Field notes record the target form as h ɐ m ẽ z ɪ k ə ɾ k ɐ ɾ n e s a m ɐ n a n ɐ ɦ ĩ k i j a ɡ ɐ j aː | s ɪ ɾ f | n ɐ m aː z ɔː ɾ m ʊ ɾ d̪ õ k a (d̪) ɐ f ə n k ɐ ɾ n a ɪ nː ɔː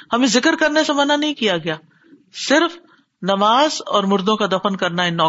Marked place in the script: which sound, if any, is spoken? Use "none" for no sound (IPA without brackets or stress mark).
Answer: d̪